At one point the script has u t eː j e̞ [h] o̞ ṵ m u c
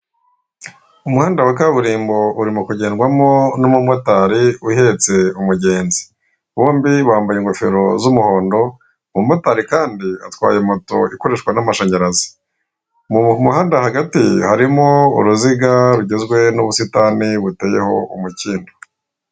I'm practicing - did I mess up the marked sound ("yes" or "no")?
no